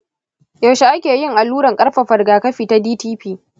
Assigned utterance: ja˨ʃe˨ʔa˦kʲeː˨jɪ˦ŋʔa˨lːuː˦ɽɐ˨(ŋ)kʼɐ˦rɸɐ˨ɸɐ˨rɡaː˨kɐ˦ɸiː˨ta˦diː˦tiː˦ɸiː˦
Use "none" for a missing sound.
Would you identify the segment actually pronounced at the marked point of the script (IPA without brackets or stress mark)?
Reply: ŋ